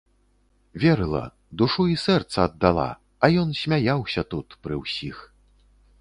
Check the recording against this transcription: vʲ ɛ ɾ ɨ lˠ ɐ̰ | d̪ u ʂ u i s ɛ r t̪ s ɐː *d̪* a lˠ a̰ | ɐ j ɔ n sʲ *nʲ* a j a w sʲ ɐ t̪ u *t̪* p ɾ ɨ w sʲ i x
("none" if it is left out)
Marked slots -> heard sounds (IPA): d̪ː, mʲ, t̪

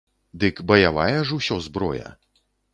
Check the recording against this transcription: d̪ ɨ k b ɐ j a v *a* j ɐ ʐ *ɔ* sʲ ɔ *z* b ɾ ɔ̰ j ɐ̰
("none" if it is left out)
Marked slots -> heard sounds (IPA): a, u, z

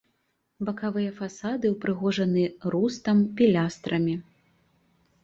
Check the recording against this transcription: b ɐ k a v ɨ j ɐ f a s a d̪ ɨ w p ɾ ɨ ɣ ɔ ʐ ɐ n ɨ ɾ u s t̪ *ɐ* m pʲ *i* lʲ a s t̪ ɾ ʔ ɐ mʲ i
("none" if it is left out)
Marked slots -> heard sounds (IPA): ɐ, i

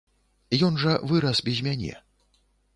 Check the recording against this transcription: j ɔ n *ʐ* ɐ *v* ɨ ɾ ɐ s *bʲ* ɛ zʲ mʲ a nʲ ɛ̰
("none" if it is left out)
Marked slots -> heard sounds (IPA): ʐ, v, bʲ

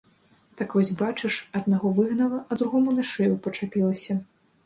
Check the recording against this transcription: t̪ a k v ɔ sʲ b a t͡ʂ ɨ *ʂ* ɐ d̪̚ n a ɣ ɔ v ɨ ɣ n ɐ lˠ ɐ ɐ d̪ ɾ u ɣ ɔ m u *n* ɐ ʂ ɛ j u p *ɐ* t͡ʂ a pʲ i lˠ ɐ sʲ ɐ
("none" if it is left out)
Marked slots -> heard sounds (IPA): ʂ, n, ɐ

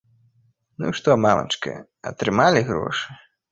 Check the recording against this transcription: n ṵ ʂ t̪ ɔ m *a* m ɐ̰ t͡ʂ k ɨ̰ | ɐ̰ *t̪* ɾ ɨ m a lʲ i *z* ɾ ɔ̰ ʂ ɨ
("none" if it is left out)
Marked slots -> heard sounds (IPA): a, t̪, ɣ

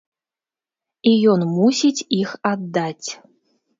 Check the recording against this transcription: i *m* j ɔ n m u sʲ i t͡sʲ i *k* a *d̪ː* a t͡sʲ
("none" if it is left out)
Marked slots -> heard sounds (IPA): none, x, d̪ː

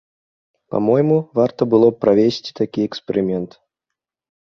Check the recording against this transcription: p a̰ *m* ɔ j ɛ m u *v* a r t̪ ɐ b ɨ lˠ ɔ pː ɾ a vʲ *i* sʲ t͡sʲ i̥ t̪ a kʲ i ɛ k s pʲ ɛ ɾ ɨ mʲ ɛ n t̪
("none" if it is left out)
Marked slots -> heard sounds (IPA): m, v, e

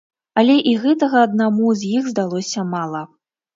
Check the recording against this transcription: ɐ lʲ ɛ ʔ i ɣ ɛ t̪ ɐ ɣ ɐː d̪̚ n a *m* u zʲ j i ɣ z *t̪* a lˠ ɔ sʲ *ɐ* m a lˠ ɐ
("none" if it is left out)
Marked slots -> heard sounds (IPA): m, d̪, ɐ

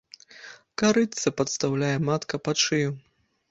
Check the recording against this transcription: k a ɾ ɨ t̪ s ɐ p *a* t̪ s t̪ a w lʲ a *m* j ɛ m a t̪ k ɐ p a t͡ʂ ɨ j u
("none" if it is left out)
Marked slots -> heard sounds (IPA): ɐ, none

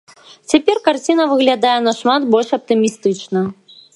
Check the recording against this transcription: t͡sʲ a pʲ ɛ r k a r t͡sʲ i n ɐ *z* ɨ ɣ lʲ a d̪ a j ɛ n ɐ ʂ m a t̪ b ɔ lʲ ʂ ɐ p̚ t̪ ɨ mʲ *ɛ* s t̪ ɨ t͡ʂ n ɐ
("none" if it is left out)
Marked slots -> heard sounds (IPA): v, i

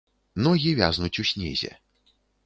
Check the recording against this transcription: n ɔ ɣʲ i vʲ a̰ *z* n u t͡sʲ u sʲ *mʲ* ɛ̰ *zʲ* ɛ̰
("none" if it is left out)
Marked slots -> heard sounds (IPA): z, nʲ, zʲ

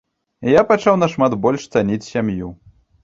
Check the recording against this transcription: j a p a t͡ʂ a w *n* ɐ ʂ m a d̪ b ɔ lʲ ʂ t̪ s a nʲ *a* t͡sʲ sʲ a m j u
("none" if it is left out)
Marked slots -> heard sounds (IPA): n, i

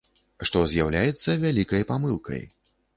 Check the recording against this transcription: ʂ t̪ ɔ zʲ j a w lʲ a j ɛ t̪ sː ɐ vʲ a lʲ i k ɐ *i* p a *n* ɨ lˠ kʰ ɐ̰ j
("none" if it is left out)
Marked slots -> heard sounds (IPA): j, m

